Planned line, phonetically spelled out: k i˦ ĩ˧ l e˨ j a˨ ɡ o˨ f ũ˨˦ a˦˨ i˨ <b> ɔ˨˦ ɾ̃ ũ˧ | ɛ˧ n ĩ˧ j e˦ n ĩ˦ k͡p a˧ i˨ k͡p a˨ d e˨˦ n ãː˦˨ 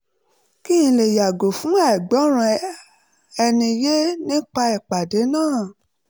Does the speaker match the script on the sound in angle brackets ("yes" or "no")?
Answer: no